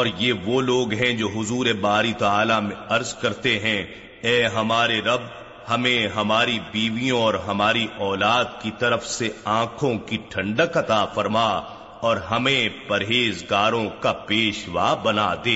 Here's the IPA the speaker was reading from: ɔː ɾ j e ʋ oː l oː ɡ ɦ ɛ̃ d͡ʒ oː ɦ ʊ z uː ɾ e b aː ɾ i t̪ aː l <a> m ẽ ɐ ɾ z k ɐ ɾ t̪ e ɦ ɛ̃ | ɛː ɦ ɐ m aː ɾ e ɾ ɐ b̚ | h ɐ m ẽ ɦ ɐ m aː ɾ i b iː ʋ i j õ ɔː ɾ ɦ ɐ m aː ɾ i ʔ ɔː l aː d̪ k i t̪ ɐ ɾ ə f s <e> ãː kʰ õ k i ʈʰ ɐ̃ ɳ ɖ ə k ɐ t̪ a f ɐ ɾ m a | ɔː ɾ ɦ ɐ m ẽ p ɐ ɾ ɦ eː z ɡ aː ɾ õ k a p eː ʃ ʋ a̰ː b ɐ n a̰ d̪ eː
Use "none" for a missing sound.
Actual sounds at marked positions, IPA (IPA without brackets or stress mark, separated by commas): a, e